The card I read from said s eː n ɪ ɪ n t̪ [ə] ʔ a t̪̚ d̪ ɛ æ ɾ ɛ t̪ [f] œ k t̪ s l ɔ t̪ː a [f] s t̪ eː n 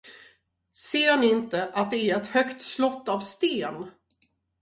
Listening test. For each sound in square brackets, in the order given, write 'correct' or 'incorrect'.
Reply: correct, incorrect: h, incorrect: v

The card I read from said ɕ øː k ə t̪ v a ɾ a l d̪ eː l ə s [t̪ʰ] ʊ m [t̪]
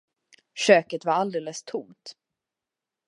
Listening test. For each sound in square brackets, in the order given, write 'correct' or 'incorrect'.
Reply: correct, correct

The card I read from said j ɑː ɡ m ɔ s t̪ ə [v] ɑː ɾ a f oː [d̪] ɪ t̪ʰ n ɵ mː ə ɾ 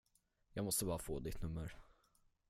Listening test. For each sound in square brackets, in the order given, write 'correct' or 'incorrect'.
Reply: incorrect: b, correct

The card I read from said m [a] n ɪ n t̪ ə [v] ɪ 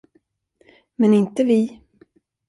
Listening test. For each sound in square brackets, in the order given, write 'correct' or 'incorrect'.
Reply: incorrect: ɛ, correct

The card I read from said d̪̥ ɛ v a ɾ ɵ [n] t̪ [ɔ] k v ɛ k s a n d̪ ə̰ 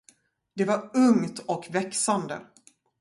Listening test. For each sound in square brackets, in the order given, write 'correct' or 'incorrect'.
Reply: incorrect: ŋ, correct

